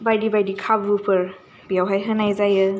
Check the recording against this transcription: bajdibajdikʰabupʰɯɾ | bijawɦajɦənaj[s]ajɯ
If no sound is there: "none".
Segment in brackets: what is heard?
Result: z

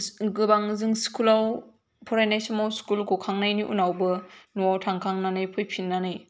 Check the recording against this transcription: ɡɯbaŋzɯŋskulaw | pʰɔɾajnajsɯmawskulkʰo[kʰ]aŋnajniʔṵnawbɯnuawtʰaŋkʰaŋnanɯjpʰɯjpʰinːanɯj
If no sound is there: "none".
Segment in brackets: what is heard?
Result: kʰ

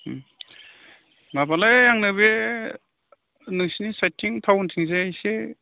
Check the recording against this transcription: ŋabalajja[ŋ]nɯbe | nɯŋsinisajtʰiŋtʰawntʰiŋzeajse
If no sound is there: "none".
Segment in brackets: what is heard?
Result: ŋ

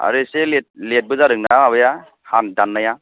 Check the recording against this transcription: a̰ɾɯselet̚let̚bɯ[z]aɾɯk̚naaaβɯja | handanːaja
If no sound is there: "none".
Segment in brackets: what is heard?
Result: z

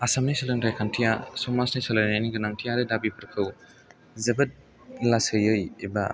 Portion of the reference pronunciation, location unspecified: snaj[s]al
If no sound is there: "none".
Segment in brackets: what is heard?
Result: s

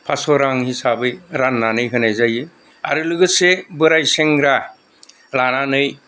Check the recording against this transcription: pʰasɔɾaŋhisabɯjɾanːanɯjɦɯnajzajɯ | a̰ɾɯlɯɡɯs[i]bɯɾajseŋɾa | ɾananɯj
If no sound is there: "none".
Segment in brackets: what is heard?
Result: e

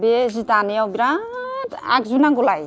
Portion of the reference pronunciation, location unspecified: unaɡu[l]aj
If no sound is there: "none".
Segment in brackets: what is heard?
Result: l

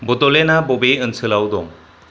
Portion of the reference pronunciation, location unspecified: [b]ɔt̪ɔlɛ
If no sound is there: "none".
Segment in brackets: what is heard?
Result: b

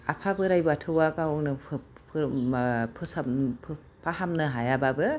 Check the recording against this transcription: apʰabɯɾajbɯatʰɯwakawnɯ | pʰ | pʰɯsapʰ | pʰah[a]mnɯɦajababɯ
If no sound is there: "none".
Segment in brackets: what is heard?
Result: a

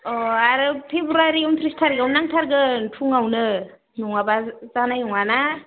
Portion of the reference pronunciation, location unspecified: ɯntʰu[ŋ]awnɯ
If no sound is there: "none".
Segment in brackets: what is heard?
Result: ŋ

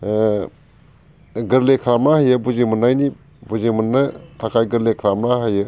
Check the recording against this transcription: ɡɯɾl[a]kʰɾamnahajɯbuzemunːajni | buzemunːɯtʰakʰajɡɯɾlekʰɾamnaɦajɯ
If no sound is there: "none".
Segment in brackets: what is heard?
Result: e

